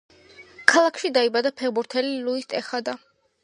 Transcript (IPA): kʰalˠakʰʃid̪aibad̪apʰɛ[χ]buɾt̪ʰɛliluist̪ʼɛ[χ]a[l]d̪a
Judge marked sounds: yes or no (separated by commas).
no, yes, no